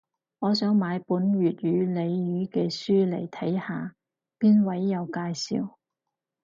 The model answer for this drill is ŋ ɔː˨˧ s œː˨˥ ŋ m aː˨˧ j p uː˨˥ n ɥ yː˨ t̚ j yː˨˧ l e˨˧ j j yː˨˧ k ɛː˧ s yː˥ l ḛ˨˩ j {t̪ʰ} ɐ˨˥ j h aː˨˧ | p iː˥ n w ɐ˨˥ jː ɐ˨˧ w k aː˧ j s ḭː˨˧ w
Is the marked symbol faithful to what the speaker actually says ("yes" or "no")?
yes